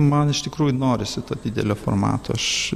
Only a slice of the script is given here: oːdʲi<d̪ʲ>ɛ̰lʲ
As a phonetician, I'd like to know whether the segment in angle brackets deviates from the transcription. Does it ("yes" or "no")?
no